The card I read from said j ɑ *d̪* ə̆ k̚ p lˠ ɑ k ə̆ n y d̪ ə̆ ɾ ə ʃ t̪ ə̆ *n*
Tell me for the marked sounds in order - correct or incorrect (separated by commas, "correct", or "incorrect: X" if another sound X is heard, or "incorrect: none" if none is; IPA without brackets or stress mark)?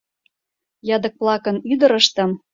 correct, incorrect: m